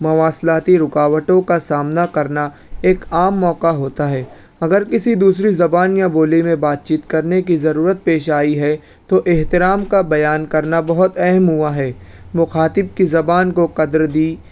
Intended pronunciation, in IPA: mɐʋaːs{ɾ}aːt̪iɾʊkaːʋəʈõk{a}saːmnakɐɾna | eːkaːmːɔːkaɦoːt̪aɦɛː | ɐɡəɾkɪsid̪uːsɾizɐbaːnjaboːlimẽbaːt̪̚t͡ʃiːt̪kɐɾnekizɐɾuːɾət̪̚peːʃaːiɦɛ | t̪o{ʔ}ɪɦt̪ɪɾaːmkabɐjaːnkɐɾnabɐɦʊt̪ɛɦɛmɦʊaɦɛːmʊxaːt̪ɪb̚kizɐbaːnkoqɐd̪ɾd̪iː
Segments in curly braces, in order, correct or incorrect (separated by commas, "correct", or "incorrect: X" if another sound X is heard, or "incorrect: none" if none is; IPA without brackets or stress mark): incorrect: l, correct, correct